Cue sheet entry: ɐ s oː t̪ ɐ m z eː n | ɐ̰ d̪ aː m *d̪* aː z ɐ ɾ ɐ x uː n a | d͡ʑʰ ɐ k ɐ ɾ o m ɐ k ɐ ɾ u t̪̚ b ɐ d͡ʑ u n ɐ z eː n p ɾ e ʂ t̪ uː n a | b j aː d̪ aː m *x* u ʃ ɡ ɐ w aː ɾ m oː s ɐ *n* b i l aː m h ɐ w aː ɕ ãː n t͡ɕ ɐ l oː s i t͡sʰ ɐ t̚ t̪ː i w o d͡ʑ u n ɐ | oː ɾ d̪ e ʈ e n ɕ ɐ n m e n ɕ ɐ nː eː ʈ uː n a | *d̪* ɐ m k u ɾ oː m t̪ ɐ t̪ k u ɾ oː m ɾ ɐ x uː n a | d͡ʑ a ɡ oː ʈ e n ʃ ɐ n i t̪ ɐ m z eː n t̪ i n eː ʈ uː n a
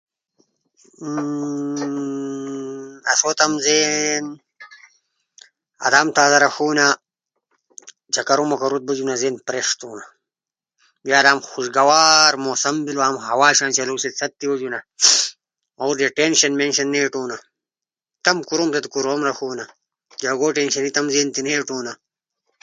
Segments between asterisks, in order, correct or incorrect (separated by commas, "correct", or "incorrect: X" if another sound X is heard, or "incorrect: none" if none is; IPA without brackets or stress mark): incorrect: t̪, correct, incorrect: m, incorrect: t̪